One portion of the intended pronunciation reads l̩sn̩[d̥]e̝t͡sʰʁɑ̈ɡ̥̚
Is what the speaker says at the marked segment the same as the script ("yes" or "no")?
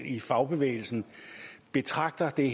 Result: no